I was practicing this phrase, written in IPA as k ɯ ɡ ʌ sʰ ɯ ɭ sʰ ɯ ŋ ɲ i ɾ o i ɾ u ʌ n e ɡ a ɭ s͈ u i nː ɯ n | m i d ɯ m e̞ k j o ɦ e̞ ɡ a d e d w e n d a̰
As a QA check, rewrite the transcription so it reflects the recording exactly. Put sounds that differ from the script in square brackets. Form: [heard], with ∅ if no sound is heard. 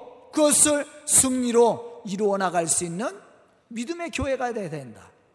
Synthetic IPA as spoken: k ɯ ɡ ʌ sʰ ɯ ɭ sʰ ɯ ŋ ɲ i ɾ o i ɾ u ʌ n [a] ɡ a ɭ s͈ u i nː ɯ n | m i d ɯ m e̞ k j o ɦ e̞ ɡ a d e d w e n d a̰